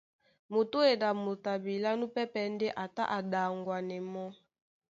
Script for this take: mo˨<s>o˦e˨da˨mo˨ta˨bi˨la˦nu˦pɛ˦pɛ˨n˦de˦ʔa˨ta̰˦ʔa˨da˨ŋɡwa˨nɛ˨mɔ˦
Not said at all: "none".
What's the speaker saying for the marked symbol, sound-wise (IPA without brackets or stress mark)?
t